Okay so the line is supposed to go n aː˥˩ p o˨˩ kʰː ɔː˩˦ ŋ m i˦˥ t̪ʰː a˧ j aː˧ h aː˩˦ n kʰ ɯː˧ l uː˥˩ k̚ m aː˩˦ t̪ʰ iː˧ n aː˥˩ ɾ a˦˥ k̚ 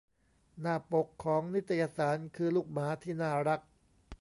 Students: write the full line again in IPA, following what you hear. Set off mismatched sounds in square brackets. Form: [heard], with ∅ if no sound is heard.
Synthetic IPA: n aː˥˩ p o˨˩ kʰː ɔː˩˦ ŋ [n] i˦˥ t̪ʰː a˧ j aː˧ [s] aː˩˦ n kʰ ɯː˧ l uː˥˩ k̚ m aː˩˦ t̪ʰ [iː˥˩] n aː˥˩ ɾ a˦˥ k̚

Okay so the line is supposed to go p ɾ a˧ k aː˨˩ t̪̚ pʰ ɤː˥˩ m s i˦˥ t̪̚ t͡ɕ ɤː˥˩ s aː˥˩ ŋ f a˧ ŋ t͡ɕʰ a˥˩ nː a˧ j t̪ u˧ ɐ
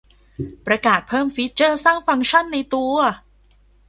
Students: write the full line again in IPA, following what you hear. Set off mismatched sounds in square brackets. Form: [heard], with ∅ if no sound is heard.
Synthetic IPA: p ɾ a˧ k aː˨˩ t̪̚ pʰ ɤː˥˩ m [f] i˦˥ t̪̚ t͡ɕ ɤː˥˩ s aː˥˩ ŋ f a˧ ŋ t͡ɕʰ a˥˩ nː a˧ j t̪ u˧ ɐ

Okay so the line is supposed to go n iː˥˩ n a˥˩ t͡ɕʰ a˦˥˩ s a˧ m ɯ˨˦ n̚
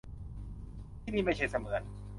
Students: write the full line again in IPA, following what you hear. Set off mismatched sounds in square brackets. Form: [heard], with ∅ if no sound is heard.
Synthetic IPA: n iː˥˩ [m] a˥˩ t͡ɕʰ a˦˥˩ s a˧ m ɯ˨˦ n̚

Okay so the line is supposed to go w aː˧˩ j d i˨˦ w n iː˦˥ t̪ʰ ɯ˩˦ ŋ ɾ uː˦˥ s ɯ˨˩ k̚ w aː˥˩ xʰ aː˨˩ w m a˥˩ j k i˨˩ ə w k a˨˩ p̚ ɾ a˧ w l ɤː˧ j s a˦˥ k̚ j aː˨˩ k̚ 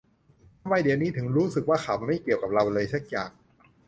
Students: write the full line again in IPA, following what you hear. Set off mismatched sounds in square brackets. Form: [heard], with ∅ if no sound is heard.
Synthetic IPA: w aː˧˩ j d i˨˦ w n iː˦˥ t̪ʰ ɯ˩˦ ŋ ɾ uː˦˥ s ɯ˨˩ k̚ w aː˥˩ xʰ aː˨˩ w m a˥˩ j k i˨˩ ə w k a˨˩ p̚ ɾ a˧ w l ɤː˧ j s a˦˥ k̚ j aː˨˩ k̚

